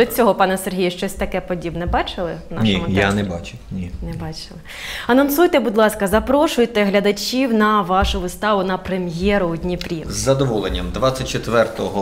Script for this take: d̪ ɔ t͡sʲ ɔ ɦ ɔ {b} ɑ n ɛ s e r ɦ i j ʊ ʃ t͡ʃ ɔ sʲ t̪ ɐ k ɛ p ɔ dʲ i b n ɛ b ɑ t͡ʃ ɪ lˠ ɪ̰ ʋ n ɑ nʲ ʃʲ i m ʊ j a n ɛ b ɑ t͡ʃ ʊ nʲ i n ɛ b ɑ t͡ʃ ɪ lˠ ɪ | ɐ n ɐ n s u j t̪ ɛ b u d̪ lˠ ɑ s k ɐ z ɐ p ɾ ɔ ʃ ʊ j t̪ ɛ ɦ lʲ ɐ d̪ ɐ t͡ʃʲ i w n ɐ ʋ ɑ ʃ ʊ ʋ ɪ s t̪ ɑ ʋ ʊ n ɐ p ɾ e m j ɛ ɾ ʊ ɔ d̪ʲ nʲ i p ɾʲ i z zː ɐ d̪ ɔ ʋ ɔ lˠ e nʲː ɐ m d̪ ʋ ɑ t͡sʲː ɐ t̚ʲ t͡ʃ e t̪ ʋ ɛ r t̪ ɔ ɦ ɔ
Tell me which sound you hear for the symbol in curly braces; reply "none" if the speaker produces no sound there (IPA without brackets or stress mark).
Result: p